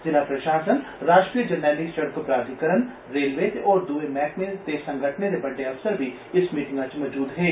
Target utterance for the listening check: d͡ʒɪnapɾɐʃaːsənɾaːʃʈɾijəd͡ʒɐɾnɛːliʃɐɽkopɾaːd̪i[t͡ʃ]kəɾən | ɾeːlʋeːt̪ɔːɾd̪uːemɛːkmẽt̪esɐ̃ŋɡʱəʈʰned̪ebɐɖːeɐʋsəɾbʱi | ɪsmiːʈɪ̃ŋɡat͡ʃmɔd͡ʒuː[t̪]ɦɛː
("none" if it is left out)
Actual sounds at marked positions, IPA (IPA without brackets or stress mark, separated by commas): none, d̪